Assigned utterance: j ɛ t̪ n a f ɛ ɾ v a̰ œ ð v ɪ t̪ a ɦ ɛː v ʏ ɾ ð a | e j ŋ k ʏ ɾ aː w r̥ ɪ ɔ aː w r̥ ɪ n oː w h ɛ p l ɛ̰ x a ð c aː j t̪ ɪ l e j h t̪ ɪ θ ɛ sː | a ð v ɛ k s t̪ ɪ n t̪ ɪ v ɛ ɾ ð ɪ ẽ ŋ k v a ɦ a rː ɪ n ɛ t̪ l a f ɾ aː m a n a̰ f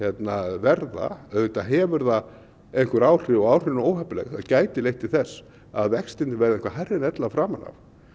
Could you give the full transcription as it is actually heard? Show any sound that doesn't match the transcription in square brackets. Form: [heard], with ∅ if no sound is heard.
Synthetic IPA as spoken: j ɛ t̪ n a [v] ɛ ɾ [ð] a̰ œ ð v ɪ t̪ a ɦ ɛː v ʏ ɾ ð a | e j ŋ k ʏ ɾ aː w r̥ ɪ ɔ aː w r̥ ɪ n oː w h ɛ p l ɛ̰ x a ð c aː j t̪ ɪ l e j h t̪ ɪ θ ɛ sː | a ð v ɛ k s t̪ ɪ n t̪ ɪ v ɛ ɾ ð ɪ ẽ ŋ k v a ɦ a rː ɪ n ɛ t̪ l a f ɾ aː m a n a̰ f